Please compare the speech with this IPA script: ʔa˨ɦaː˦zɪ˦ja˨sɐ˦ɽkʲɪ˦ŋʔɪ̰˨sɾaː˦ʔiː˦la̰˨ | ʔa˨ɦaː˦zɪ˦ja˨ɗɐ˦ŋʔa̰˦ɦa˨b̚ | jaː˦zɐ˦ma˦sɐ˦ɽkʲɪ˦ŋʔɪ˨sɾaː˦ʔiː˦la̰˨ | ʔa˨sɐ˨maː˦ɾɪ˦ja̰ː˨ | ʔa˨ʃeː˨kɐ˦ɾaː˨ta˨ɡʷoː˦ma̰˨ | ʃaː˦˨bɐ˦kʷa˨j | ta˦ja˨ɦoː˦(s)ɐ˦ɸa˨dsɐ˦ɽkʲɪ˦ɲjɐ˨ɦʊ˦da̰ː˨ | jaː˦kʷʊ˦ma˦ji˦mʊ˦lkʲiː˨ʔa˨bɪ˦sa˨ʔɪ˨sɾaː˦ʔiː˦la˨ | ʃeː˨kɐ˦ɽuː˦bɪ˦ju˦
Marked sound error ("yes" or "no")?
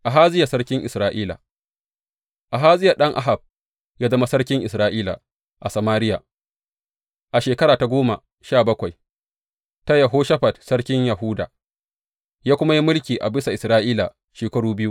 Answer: yes